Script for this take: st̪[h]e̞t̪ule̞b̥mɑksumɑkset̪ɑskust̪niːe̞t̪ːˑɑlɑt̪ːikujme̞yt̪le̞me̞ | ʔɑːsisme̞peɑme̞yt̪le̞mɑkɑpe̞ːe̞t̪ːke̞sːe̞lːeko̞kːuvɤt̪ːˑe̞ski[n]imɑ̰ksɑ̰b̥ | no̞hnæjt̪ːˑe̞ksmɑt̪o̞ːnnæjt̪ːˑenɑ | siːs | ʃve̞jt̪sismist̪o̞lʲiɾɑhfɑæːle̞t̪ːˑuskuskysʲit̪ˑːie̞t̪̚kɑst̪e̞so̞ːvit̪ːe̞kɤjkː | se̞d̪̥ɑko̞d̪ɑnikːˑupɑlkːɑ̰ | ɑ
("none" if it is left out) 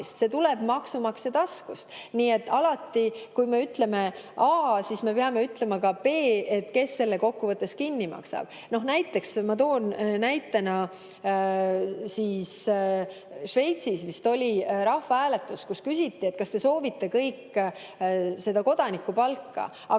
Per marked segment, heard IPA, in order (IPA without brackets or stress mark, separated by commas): s, nː